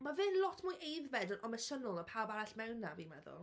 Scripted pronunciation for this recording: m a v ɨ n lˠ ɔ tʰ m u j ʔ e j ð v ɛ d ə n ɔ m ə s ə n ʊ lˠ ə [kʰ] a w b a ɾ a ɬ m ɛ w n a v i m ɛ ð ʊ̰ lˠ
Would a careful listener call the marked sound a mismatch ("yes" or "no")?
yes